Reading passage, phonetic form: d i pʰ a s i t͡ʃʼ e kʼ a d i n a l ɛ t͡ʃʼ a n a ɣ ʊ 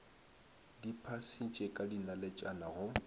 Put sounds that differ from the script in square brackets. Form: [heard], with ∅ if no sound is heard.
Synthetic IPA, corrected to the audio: d i pʰ a s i t͡ʃʼ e kʼ a d i n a l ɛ t͡ʃʼ a n a ɣ ʊ

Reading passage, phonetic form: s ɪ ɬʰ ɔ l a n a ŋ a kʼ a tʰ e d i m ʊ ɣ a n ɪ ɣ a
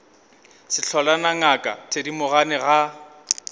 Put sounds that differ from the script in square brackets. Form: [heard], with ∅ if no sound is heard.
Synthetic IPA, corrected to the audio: s ɪ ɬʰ ɔ l a n a ŋ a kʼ a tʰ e d i m ʊ ɣ a n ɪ ɣ a

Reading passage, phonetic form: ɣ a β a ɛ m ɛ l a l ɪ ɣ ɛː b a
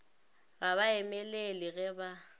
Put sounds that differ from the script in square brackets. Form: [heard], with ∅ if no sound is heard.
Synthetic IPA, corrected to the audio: ɣ a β a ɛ m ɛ l [e] l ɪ ɣ [ɛ] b a

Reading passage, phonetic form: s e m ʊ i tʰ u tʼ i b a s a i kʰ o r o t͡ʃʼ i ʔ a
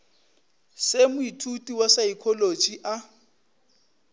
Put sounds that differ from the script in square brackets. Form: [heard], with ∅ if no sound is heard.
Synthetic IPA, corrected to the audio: s e m ʊ i tʰ u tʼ i [w] a s a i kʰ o [l] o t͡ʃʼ i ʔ a

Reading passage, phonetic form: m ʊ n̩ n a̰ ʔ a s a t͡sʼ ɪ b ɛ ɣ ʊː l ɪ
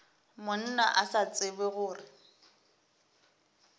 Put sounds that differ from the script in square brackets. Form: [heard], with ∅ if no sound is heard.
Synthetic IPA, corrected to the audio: m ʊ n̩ n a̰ ʔ a s a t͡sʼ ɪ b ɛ ɣ ʊː [r] ɪ

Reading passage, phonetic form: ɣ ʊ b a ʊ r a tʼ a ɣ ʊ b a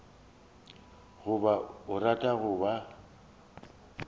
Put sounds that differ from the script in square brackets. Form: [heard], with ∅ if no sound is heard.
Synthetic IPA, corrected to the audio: ɣ ʊ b a ʊ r a tʼ a ɣ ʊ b a

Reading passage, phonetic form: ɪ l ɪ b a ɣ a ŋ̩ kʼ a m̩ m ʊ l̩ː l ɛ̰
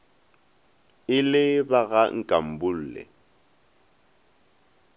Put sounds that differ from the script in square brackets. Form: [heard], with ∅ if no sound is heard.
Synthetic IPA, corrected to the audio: ɪ l ɪ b a ɣ a ŋ̩ kʼ a m̩ [b] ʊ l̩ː l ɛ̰

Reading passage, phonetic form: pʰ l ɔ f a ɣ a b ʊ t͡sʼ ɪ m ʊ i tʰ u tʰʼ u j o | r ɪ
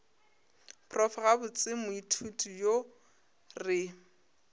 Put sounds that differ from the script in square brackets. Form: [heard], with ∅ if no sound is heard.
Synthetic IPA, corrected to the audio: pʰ [r] ɔ f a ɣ a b ʊ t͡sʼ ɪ m ʊ i tʰ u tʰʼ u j o | r ɪ

